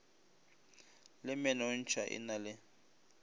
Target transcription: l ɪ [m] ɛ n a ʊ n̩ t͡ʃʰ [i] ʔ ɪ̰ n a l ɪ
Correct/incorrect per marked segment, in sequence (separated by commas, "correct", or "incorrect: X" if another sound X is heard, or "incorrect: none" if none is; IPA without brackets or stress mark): correct, incorrect: a